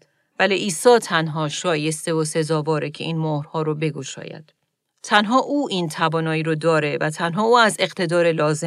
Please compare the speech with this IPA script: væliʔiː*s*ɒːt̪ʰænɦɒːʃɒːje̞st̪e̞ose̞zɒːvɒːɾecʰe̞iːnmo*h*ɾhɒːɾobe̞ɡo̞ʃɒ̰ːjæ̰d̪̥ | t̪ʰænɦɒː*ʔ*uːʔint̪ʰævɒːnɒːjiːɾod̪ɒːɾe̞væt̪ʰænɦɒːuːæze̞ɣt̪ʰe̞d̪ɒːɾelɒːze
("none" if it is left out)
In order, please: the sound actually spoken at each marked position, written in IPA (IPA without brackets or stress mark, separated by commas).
s, h, ʔ